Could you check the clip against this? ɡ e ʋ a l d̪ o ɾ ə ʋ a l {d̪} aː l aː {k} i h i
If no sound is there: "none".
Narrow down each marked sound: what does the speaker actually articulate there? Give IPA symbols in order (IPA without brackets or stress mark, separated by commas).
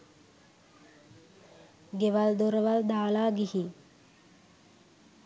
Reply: d̪, ɡ